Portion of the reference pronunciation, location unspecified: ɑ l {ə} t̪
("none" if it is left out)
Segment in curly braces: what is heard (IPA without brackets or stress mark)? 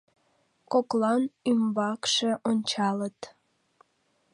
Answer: ə